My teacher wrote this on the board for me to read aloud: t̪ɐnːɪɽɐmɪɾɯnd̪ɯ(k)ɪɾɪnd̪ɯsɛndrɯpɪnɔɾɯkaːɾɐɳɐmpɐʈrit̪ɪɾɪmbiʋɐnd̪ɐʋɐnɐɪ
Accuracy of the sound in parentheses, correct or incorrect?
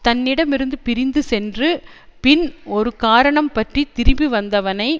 incorrect